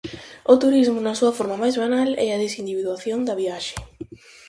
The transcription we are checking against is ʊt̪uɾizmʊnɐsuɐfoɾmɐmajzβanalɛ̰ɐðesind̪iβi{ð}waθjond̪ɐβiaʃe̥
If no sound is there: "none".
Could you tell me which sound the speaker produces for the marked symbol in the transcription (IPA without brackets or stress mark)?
ð